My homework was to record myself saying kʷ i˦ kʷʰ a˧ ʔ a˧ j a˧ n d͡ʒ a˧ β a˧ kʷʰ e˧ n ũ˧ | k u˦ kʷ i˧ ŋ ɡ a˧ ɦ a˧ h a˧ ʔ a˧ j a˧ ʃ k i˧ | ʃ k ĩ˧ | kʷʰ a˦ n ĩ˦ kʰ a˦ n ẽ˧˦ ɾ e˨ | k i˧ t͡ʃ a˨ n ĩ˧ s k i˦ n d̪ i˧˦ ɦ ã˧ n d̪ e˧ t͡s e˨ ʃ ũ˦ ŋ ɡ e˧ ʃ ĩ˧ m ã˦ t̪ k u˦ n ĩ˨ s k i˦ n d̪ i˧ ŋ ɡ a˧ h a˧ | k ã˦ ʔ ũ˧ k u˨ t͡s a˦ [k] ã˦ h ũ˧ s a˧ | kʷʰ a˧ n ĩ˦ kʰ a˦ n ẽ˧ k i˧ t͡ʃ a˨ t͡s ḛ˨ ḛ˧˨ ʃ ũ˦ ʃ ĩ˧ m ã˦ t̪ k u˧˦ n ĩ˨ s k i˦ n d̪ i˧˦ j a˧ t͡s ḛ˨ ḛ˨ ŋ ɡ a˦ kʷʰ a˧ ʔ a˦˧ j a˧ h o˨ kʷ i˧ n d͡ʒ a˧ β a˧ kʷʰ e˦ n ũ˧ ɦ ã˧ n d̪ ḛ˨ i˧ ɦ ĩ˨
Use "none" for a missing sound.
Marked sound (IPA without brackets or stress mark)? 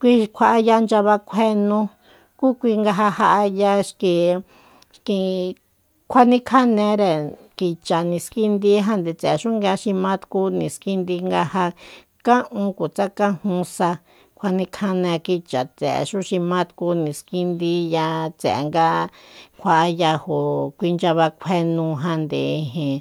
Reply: k